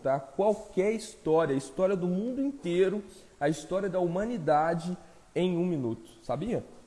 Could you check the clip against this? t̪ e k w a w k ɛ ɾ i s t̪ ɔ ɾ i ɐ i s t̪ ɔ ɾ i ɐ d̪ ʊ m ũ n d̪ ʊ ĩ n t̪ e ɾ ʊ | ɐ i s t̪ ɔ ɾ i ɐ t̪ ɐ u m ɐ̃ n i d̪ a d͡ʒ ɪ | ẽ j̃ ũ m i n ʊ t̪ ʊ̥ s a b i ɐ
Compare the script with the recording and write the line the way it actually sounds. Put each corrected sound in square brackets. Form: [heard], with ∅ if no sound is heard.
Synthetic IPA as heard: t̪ [a] k w a w k ɛ ɾ i s t̪ ɔ ɾ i ɐ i s t̪ ɔ ɾ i ɐ d̪ ʊ m ũ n d̪ ʊ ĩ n t̪ e ɾ ʊ | ɐ i s t̪ ɔ ɾ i ɐ [d̪] ɐ u m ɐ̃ n i d̪ a d͡ʒ ɪ | ẽ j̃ ũ m i n [u] t̪ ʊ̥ s a b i ɐ